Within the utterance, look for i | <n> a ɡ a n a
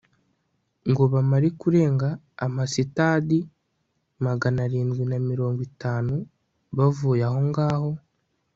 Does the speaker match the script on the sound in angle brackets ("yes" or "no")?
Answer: no